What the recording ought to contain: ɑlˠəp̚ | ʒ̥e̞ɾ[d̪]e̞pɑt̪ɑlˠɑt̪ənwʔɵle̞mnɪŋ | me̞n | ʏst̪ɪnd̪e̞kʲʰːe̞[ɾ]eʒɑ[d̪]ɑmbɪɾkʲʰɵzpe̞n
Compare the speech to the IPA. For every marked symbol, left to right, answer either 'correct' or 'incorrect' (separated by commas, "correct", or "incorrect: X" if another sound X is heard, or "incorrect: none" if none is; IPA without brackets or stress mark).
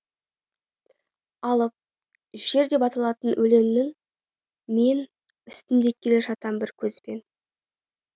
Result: correct, incorrect: l, incorrect: t̪